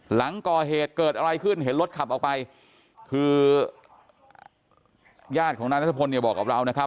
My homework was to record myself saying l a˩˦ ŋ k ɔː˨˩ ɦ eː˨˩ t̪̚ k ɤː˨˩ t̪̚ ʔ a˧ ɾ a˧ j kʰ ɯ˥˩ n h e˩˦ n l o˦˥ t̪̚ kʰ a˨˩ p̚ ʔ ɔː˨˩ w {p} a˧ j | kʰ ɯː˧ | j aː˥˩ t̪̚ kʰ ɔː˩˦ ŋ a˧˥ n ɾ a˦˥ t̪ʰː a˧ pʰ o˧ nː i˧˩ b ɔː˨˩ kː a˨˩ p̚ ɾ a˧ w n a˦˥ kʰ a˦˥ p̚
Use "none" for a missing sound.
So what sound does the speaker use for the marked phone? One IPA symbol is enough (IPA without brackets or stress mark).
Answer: p